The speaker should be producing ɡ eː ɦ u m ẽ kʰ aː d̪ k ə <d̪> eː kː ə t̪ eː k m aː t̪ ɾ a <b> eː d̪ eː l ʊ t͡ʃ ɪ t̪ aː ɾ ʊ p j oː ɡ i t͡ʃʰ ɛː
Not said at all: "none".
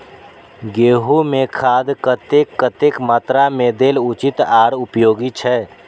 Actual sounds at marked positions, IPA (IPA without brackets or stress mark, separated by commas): t̪, m